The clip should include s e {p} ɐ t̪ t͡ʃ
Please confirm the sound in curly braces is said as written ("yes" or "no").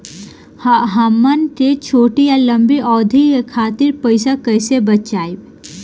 no